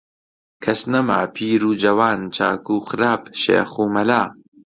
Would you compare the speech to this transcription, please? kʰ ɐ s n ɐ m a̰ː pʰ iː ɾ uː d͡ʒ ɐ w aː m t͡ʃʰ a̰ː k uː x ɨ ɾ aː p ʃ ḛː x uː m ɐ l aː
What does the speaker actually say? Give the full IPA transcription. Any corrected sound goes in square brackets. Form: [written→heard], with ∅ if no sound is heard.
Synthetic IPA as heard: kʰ ɐ s n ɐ m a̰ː pʰ iː ɾ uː d͡ʒ ɐ w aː [m→n] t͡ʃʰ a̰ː k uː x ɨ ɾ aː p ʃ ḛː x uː m ɐ l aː